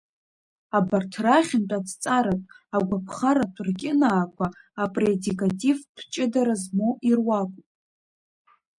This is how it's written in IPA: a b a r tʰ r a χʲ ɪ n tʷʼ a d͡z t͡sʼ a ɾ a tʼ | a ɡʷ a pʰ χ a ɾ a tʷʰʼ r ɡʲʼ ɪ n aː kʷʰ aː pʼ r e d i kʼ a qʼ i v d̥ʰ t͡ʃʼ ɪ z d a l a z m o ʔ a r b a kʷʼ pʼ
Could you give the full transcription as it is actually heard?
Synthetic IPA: a b a r tʰ r a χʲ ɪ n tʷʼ a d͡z t͡sʼ a ɾ a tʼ | a ɡʷ a pʰ χ a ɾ a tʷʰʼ r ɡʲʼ ɪ n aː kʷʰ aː pʼ r e d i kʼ a tʼ i v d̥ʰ t͡ʃʼ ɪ d a ɾ a z m o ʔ i r w a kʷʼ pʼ